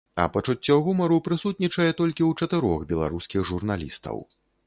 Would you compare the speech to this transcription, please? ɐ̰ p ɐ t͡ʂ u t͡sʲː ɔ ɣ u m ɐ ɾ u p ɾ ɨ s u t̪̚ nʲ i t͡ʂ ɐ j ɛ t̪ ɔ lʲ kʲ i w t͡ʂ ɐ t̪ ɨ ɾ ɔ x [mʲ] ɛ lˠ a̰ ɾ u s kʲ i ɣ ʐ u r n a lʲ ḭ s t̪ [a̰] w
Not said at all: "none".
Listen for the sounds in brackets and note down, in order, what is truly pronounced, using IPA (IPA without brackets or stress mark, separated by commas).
bʲ, ɐ̰